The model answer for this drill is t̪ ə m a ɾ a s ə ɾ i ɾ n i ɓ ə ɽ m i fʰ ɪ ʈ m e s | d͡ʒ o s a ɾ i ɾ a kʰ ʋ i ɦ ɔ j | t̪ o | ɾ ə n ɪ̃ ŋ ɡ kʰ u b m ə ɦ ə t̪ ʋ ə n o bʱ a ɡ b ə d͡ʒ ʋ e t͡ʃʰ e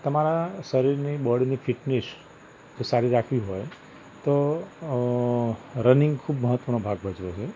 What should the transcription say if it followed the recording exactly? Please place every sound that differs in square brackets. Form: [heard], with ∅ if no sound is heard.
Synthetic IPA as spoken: t̪ ə m a ɾ a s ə ɾ i ɾ n i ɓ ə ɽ [n] i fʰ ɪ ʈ [n] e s | d͡ʒ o s a ɾ i ɾ a kʰ ʋ i ɦ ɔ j | t̪ o | ɾ ə n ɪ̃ ŋ ɡ kʰ u b m ə ɦ ə t̪ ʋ ə n o bʱ a ɡ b ə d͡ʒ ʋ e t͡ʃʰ e